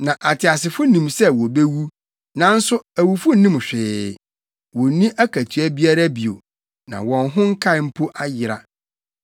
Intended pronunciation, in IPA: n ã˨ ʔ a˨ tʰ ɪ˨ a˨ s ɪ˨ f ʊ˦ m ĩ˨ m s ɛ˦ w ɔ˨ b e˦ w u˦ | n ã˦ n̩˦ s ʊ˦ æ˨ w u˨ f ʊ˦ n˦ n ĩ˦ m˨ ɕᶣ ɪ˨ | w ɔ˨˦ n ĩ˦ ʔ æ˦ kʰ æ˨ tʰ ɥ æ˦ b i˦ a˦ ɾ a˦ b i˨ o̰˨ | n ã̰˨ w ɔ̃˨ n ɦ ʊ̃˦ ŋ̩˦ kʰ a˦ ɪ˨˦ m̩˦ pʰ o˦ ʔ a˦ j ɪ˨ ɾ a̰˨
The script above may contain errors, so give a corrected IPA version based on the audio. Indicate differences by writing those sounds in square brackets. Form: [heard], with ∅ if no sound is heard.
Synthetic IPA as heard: n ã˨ ʔ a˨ tʰ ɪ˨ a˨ s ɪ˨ f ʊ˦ [n] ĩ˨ m s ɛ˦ w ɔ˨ b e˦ w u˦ | n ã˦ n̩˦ s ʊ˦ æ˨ w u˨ f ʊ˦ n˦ n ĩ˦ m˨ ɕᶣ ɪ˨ | w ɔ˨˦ n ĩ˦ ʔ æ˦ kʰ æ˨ tʰ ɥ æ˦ b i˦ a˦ ɾ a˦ b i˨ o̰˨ | n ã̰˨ w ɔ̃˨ n ɦ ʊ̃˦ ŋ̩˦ kʰ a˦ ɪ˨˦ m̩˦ pʰ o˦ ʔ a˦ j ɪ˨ ɾ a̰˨